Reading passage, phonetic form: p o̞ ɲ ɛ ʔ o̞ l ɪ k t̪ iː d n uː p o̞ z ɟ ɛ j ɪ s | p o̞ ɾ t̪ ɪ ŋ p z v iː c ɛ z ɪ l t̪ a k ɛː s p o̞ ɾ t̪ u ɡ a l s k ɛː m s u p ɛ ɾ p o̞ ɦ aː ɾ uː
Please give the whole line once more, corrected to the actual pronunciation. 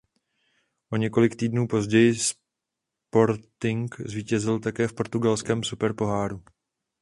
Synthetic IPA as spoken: ʔ o̞ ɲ ɛ k o̞ l ɪ k t̪ iː d n uː p o̞ z ɟ ɛ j ɪ s | p o̞ ɾ t̪ ɪ ŋ k z v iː c ɛ z ɪ l t̪ a k ɛː f p o̞ ɾ t̪ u ɡ a l s k ɛː m s u p ɛ ɾ p o̞ ɦ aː ɾ u